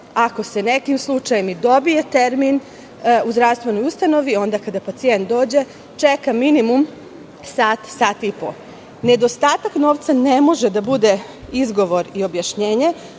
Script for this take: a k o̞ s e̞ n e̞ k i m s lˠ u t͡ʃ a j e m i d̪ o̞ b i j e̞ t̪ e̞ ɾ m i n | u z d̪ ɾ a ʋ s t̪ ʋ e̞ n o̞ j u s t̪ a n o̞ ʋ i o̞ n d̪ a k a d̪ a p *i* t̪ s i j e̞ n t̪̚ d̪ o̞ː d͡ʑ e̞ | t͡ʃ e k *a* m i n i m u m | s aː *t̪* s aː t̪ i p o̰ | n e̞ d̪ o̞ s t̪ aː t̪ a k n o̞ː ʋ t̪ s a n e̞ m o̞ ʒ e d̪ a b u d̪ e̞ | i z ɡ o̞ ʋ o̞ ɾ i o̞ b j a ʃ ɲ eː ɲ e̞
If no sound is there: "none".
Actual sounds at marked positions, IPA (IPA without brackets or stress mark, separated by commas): a, a, t̪